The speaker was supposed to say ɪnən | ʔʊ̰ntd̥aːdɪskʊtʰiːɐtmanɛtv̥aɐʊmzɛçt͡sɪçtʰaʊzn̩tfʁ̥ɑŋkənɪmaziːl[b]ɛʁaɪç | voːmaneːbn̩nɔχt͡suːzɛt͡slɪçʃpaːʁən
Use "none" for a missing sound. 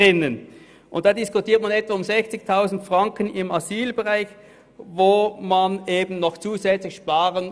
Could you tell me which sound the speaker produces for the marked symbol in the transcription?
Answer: b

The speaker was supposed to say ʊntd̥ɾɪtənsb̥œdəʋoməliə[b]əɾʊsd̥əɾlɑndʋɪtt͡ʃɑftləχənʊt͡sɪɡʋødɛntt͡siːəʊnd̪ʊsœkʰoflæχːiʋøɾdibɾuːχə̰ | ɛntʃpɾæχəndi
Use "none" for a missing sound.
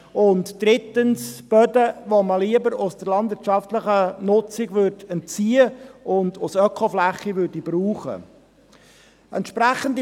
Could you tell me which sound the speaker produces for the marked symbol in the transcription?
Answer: b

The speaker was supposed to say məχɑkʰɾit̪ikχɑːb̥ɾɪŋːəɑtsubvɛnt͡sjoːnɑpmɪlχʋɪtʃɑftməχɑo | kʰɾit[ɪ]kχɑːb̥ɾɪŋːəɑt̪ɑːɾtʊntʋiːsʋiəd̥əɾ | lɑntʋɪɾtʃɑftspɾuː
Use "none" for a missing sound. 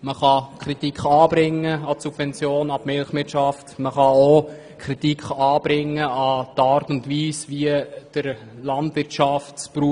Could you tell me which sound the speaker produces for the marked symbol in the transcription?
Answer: i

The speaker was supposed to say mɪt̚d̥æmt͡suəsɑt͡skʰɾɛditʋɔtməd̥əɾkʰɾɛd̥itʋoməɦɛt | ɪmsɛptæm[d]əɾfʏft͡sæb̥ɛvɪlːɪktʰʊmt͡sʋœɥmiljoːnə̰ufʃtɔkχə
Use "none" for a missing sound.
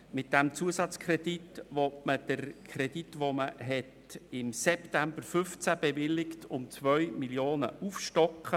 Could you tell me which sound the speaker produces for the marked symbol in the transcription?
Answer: b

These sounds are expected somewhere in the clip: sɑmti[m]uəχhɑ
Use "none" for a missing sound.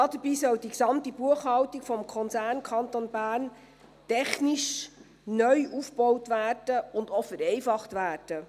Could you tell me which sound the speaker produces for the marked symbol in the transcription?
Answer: b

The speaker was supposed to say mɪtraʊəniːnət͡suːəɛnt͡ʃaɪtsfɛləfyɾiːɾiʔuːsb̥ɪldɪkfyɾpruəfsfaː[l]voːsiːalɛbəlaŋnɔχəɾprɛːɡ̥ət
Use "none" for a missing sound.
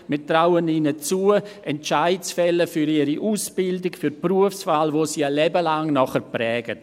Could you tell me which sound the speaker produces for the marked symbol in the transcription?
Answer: l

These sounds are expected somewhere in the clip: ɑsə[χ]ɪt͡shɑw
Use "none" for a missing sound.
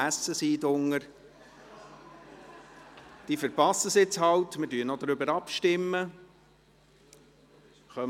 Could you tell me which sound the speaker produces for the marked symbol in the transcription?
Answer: s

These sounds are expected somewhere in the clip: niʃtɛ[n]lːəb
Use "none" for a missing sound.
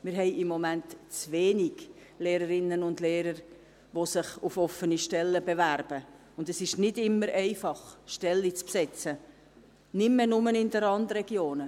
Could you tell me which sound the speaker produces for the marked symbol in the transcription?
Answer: none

